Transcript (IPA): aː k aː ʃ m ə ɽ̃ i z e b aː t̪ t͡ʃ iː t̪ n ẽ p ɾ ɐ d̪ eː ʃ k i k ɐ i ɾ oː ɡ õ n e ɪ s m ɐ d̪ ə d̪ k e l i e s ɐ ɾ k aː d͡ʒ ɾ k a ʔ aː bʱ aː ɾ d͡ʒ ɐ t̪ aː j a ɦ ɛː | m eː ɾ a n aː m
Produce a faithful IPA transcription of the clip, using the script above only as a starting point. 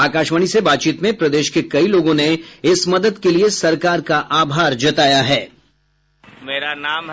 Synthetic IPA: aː k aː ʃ m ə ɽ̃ i s e b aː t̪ t͡ʃ iː t̪ m ẽ p ɾ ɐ d̪ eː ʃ k e k ɐ i l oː ɡ õ n e ɪ s m ɐ d̪ ə d̪ k e l i e s ɐ ɾ k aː ɾ k a ʔ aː bʱ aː ɾ d͡ʒ ɐ t̪ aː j a ɦ ɛː | m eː ɾ a n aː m